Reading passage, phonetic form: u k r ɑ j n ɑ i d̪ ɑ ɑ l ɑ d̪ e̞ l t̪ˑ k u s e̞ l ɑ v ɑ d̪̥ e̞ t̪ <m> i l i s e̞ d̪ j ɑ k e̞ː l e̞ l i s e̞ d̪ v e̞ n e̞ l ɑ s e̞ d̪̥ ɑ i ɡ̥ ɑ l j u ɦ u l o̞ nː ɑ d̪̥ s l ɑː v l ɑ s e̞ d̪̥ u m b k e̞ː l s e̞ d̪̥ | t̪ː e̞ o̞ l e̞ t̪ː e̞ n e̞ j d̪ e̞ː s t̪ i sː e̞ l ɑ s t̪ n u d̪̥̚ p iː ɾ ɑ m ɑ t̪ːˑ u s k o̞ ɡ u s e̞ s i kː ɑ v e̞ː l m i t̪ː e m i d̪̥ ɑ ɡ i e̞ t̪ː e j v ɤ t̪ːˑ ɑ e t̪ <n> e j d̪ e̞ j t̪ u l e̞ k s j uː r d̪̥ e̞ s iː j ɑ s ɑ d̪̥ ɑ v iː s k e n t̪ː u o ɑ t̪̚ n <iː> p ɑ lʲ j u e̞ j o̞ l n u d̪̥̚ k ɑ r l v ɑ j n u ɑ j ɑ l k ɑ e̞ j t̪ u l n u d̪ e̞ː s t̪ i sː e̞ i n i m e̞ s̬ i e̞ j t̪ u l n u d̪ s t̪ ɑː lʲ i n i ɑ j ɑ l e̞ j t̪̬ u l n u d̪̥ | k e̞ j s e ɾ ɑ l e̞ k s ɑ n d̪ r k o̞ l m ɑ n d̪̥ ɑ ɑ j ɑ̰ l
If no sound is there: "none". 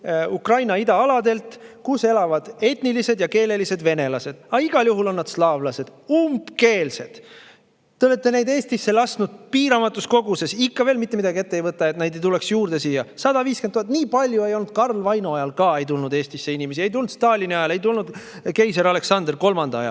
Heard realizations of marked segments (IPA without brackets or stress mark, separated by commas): n, n, iː